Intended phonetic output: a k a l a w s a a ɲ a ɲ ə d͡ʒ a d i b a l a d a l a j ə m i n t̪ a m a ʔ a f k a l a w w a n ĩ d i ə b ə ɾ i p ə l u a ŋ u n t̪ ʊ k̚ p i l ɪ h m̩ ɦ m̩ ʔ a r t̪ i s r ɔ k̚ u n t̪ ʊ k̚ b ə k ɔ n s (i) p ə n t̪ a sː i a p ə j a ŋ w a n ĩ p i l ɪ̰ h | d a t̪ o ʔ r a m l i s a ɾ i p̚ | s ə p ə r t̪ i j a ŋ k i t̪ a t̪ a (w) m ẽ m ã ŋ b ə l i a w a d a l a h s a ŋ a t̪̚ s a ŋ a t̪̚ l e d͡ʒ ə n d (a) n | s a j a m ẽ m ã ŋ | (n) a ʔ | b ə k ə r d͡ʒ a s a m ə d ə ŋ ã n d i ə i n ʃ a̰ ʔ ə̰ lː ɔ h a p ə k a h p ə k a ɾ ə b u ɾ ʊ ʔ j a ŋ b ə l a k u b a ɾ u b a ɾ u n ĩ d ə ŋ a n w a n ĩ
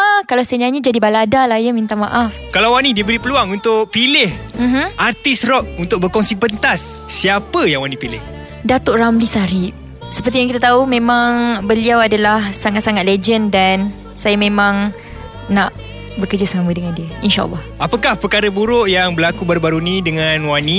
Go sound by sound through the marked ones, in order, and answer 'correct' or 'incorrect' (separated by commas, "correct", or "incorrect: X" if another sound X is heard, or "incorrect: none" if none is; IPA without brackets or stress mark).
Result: correct, incorrect: u, correct, correct